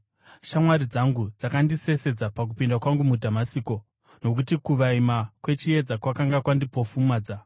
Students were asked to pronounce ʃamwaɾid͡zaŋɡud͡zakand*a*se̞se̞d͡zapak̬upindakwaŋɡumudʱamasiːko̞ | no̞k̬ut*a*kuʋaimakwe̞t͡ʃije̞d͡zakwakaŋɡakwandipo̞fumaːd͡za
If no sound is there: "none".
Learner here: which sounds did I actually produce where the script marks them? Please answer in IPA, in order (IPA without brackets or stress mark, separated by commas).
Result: i, i